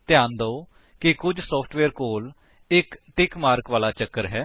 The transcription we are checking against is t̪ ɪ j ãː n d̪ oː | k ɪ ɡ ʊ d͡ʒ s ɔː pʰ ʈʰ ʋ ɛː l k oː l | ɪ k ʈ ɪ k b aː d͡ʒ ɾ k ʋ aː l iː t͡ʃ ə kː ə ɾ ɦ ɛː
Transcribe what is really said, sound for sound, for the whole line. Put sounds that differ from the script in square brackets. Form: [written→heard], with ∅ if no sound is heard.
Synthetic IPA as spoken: t̪ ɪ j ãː n d̪ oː | k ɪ [ɡ→k] ʊ d͡ʒ s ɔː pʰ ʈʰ ʋ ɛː [l→ɾ] k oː l | ɪ k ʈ ɪ k [b→m] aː [d͡ʒ→∅] ɾ k ʋ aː l [iː→aː] t͡ʃ ə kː ə ɾ ɦ ɛː